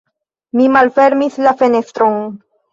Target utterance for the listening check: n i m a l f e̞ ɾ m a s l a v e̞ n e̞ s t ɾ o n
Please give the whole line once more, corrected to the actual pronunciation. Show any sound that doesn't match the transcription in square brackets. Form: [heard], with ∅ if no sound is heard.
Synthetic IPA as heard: [m] i m a l f e̞ ɾ m [i] s l a [f] e̞ n e̞ s t ɾ o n